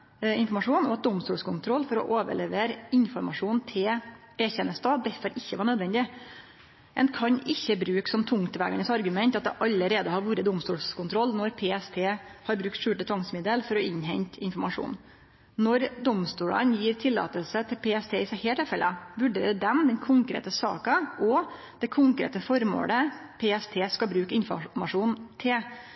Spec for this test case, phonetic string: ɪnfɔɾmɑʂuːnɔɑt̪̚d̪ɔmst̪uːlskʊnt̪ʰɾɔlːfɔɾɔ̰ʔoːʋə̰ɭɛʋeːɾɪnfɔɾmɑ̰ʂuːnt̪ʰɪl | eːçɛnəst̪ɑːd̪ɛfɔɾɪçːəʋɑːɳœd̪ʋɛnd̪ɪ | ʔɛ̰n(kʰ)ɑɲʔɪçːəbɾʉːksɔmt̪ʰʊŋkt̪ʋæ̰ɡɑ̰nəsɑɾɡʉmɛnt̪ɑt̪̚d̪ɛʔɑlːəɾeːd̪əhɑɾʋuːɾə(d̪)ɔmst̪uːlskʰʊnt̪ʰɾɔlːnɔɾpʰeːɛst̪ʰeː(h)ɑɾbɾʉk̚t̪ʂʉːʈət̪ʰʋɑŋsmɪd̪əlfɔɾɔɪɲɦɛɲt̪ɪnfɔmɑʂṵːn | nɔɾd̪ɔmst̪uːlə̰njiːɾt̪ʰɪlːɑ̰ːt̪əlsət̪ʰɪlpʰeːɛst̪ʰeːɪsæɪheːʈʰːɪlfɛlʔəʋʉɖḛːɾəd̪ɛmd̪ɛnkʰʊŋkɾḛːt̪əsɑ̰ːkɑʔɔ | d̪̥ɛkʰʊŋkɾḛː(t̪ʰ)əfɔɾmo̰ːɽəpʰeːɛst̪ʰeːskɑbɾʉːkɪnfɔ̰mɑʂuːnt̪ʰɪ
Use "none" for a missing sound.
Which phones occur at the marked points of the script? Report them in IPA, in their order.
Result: kʰ, d̪, h, t̪

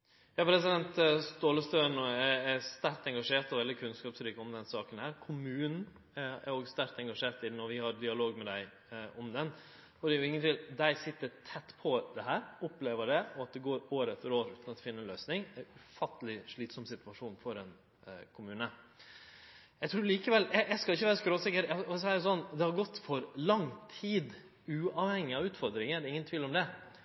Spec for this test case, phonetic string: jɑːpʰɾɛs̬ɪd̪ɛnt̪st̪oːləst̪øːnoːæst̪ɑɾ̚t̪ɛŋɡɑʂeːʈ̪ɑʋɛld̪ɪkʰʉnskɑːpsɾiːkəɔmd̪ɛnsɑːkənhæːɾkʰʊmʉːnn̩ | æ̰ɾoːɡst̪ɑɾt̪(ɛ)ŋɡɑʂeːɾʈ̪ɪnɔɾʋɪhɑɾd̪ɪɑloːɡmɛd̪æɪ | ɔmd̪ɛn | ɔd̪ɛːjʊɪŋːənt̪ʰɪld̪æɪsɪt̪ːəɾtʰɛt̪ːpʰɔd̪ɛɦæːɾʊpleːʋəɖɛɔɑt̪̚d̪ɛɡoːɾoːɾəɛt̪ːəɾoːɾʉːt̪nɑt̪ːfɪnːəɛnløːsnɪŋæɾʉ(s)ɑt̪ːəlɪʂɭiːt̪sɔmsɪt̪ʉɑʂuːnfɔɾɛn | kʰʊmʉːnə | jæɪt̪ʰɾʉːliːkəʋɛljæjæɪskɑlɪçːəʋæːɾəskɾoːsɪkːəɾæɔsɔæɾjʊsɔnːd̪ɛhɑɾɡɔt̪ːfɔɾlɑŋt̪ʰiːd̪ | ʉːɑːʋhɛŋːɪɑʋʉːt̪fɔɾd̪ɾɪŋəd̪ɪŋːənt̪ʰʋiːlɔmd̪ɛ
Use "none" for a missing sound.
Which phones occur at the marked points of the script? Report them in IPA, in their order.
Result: ɛ, f

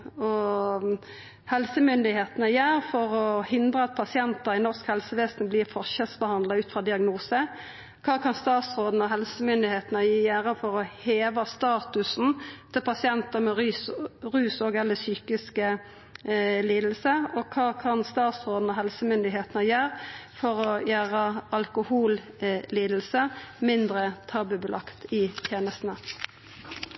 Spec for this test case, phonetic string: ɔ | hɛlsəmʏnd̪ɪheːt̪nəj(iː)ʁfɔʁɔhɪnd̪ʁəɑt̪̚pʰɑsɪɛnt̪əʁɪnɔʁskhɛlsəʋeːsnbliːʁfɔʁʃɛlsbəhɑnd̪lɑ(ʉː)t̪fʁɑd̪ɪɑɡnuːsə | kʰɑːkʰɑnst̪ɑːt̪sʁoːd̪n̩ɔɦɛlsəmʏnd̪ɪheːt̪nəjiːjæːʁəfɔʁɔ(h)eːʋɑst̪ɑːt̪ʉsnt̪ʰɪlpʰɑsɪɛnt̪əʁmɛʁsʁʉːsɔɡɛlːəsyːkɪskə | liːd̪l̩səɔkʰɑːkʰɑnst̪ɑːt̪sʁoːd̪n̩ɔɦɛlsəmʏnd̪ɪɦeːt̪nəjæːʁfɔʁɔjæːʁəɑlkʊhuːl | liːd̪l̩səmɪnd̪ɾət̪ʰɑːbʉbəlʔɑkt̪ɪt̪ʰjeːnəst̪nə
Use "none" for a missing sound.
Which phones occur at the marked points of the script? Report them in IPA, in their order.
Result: æː, ʉː, h

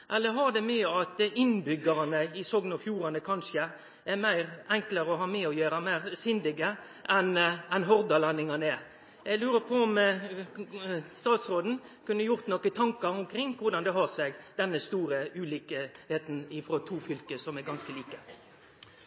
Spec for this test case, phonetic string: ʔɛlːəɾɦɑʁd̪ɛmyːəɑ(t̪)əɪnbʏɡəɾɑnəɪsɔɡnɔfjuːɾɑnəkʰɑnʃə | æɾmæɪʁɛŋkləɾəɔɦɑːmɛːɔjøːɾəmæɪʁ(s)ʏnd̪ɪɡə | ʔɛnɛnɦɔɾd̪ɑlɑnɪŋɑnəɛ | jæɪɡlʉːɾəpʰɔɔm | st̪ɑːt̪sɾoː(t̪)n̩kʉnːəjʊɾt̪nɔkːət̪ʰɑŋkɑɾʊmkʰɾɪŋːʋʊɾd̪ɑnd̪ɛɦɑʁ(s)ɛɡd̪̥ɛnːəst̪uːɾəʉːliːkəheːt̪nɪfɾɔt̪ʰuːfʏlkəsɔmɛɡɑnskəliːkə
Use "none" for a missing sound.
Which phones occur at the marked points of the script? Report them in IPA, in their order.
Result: t̪, s, d̪, s

